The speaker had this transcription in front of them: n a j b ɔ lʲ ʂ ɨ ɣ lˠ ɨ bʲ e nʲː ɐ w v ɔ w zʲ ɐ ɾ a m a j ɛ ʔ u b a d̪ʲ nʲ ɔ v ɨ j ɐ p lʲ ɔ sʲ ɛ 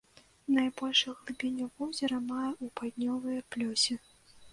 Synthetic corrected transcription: n a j b ɔ lʲ ʂ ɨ ɣ lˠ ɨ bʲ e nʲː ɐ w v ɔ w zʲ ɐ ɾ ɐ m a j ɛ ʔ u p a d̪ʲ nʲ ɔ v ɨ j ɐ p lʲ ɔ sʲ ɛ